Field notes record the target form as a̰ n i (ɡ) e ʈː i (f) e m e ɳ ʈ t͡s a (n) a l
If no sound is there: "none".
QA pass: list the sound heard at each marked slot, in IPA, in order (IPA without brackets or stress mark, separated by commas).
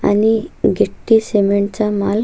ɡ, s, m